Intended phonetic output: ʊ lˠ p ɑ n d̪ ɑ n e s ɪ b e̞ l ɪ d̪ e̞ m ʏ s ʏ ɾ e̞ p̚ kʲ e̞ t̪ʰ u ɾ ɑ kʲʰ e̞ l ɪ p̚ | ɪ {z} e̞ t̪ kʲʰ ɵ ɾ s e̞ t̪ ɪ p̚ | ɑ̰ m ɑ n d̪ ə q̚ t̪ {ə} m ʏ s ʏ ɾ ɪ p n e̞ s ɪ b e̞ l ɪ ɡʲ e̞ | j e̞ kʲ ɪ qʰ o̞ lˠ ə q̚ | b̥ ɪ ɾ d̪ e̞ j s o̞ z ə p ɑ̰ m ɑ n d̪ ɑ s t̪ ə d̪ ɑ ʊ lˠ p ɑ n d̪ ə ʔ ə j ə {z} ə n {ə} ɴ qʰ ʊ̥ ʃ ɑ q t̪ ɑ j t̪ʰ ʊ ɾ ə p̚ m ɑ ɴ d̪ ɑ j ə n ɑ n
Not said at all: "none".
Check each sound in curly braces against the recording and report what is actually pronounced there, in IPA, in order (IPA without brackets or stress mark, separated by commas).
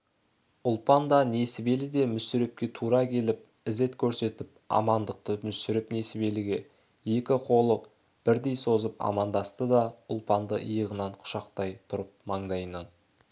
z, ə, ʁ, ɑ